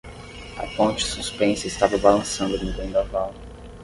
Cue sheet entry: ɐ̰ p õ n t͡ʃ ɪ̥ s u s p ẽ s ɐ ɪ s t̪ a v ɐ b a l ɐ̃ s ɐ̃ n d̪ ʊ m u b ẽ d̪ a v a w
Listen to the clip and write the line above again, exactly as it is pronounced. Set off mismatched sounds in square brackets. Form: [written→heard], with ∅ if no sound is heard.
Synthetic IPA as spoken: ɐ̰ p õ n t͡ʃ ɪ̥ s u s p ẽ s ɐ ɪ s t̪ a v ɐ b a l ɐ̃ s ɐ̃ n d̪ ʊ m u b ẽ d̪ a v a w